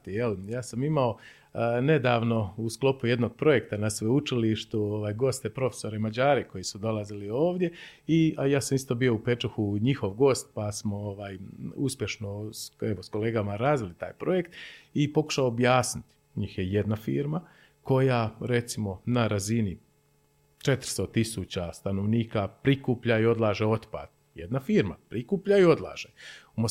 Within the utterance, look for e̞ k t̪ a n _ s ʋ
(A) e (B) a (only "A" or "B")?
B